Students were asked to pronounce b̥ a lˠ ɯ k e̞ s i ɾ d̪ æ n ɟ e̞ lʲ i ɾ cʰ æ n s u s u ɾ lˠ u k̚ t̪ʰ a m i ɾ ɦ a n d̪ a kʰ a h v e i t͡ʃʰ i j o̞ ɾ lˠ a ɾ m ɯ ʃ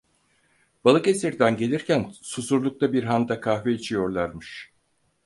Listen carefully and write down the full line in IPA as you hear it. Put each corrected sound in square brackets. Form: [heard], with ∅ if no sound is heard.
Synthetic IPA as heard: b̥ a lˠ ɯ k e̞ s i ɾ d̪ æ n ɟ e̞ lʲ i ɾ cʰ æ n s u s u ɾ lˠ u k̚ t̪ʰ a [b] i ɾ ɦ a n d̪ a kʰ a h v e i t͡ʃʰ i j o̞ ɾ lˠ a ɾ m ɯ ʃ